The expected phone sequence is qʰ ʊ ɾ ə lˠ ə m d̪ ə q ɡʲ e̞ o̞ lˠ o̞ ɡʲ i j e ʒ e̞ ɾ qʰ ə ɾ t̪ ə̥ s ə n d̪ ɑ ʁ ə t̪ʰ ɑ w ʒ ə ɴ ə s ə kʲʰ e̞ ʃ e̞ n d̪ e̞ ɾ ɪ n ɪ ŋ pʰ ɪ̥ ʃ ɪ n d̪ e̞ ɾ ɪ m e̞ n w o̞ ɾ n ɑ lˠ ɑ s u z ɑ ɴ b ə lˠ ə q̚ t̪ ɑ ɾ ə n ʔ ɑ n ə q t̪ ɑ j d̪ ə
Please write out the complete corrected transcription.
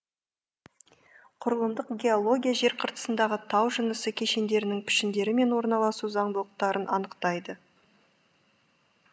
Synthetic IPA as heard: qʰ ʊ ɾ ə lˠ ə m d̪ ə q ɡʲ e̞ o̞ lˠ o̞ ɡʲ i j a ʒ e̞ ɾ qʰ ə ɾ t̪ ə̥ s ə n d̪ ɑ ʁ ə t̪ʰ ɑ w ʒ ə n ə s ə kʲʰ e̞ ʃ e̞ n d̪ e̞ ɾ ɪ n ɪ ŋ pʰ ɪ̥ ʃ ɪ n d̪ e̞ ɾ ɪ m e̞ n w o̞ ɾ n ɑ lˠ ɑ s u z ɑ ɴ b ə lˠ ə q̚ t̪ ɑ ɾ ə n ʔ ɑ n ə q t̪ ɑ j d̪ ə